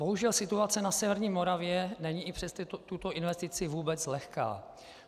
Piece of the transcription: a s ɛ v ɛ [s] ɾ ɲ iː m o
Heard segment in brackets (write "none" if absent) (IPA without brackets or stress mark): none